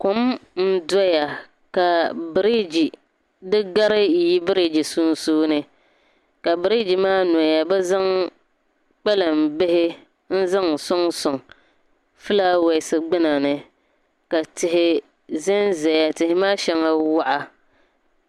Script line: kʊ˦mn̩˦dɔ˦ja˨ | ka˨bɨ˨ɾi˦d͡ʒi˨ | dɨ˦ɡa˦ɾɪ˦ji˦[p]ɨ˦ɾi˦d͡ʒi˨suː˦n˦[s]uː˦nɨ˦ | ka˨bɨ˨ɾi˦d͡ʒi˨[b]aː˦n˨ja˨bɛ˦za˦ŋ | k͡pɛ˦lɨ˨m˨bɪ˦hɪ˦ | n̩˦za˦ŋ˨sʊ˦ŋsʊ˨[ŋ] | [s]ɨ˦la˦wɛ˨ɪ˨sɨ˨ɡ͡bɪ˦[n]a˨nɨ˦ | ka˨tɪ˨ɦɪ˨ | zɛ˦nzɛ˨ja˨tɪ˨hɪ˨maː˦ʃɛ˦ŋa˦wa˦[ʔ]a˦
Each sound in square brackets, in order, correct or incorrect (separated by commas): incorrect, correct, incorrect, correct, incorrect, correct, correct